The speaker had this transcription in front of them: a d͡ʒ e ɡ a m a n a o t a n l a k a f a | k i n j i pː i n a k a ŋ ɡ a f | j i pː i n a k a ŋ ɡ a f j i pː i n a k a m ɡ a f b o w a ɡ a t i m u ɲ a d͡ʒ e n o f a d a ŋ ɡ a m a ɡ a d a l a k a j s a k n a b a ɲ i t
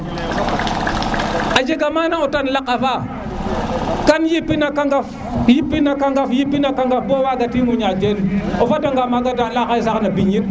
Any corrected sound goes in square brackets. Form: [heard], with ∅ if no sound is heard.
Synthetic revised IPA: a d͡ʒ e ɡ a m a n a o t a n l a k a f a | k [a] n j i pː i n a k a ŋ ɡ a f | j i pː i n a k a ŋ ɡ a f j i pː i n a k a [ŋ] ɡ a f b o w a ɡ a t i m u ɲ a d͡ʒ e n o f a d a ŋ ɡ a m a ɡ a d a l a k a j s a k n a b [i] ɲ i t